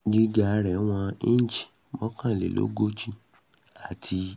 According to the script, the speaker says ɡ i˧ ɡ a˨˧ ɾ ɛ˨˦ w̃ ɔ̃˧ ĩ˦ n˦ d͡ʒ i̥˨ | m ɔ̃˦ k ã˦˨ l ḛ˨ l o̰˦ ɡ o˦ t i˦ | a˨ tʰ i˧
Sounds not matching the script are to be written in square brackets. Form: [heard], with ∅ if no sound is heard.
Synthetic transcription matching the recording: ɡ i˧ ɡ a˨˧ ɾ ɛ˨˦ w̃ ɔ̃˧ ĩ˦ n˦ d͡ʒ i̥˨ | m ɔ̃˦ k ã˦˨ l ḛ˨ l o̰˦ ɡ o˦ [t͡ʃ] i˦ | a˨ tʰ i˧